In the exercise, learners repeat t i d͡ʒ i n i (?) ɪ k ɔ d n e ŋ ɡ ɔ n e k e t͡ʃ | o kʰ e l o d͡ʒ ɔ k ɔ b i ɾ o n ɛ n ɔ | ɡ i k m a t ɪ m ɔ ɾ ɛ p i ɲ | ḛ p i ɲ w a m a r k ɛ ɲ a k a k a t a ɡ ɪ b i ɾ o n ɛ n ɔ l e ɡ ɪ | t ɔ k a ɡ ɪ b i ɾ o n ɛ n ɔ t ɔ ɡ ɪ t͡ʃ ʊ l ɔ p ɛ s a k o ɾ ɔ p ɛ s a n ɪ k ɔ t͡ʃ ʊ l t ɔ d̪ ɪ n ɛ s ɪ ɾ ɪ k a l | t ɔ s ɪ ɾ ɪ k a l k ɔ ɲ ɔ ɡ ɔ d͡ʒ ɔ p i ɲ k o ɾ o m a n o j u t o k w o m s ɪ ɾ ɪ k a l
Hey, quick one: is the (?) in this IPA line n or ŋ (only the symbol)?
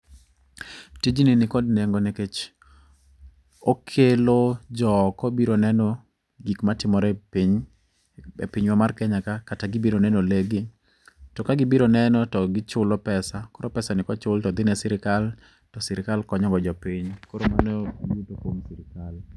n